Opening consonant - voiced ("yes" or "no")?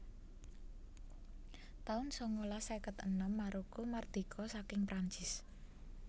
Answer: no